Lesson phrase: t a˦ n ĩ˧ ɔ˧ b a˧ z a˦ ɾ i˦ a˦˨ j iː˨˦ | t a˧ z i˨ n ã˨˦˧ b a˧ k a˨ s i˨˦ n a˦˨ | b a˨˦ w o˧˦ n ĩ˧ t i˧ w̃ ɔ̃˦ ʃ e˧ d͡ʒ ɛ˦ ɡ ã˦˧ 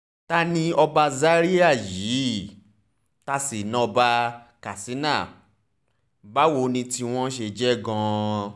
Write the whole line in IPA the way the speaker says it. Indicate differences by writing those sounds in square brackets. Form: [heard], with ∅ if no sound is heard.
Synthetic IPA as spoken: t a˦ n ĩ˧ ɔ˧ b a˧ z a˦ ɾ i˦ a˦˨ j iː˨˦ | t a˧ [s] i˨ n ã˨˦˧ b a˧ k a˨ s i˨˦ n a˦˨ | b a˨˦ w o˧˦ n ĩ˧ t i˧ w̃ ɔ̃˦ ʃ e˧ d͡ʒ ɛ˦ ɡ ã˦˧

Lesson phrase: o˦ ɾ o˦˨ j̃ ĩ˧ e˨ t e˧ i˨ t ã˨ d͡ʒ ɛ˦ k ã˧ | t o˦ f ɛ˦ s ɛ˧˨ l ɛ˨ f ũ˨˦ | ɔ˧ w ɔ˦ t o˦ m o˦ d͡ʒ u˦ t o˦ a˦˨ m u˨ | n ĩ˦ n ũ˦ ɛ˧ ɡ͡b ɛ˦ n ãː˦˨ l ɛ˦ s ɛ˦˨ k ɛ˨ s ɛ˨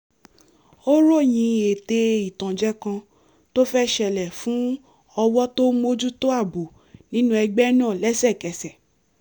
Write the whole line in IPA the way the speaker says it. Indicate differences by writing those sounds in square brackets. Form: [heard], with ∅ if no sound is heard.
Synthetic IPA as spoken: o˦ ɾ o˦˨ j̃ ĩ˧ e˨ t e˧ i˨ t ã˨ d͡ʒ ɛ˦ k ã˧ | t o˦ f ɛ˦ [ʃ] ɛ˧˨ l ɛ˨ f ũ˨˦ | ɔ˧ w ɔ˦ t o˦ m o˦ d͡ʒ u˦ t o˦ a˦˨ [b] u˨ | n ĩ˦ n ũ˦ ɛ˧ ɡ͡b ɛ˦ n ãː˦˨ l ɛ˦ s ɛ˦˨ k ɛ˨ s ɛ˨

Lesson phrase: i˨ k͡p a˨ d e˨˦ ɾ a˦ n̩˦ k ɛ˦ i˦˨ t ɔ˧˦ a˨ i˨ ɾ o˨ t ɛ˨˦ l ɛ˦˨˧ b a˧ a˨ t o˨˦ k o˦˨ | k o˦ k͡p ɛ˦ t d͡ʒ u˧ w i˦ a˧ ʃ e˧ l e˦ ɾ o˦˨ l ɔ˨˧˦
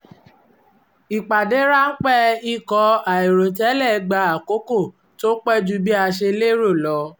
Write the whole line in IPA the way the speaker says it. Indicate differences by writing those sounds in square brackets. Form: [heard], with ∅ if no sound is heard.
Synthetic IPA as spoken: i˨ k͡p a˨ d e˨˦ ɾ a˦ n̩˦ [k͡p] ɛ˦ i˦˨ [k] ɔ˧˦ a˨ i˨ ɾ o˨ t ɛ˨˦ l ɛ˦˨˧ [ɡ͡b] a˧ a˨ [k] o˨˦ k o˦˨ | [t] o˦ k͡p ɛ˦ [∅] d͡ʒ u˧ [b] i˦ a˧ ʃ e˧ l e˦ ɾ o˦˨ l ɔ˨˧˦

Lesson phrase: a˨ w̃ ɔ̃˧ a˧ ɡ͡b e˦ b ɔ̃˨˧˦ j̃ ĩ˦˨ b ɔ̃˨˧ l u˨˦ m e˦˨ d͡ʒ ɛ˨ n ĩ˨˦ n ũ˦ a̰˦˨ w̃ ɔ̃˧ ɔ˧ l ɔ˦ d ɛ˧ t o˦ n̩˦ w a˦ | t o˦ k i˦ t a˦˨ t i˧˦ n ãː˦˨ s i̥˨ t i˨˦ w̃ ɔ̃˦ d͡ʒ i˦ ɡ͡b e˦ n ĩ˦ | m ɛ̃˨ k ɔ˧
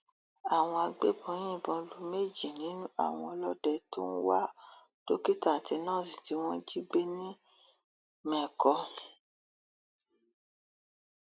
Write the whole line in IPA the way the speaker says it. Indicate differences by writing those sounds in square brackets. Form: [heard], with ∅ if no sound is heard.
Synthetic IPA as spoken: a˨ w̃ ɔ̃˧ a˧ ɡ͡b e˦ b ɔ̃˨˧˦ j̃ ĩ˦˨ b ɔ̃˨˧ l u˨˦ m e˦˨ d͡ʒ [i˨] n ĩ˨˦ n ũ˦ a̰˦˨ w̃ ɔ̃˧ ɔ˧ l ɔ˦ d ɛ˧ t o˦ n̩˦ w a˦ | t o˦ k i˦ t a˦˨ t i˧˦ n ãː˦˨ s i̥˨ t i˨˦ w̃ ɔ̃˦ d͡ʒ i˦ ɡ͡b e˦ n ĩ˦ | m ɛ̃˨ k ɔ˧

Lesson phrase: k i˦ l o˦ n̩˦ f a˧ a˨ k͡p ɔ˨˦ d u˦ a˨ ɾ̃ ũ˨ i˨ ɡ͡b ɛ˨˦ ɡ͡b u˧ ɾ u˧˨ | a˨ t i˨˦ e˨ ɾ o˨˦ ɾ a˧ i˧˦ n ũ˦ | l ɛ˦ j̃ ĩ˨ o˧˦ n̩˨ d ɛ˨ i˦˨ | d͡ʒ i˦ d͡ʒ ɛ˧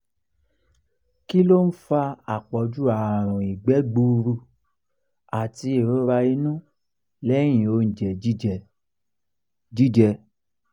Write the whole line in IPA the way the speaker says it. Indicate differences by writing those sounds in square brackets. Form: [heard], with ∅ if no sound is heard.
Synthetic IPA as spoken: k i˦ l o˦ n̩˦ f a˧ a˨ k͡p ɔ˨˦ [d͡ʒ] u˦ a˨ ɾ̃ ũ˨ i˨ ɡ͡b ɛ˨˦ ɡ͡b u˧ ɾ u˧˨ | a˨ t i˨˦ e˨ ɾ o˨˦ ɾ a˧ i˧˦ n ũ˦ | l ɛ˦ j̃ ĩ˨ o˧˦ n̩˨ [d͡ʒ] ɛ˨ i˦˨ | d͡ʒ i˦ d͡ʒ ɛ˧

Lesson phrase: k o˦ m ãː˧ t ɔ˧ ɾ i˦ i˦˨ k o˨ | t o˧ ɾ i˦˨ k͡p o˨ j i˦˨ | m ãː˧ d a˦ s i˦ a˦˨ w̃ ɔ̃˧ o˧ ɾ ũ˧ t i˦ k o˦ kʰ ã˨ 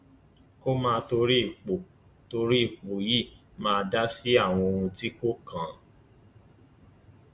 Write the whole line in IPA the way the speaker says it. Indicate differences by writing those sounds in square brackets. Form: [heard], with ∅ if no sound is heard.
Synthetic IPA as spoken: k o˦ m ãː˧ t [o˧] ɾ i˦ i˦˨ [k͡p] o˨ | t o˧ ɾ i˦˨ k͡p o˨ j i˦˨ | m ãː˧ d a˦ s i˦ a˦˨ w̃ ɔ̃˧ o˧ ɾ ũ˧ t i˦ k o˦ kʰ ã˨

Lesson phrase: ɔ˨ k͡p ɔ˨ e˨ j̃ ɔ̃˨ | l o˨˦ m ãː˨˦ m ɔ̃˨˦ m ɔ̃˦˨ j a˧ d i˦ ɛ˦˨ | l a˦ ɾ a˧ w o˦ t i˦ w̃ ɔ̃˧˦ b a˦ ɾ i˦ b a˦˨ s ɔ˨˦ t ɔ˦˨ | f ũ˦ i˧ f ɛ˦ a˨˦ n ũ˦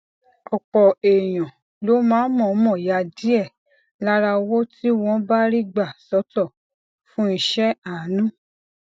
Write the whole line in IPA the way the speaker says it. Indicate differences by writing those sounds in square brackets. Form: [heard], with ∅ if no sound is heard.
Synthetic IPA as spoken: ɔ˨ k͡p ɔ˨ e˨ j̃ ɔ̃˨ | l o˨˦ m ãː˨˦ m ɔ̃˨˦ m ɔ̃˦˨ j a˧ d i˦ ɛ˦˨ | l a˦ ɾ a˧ w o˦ t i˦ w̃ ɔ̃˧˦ b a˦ ɾ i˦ [ɡ͡b] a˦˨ s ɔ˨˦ t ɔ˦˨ | f ũ˦ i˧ [ʃ] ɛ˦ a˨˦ n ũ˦

